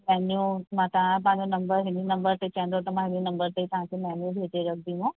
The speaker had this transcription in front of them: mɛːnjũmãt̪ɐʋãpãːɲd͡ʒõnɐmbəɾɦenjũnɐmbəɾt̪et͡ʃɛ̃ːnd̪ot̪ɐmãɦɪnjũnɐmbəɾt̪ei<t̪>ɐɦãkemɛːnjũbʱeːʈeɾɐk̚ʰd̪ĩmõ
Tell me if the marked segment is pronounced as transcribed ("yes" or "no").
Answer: yes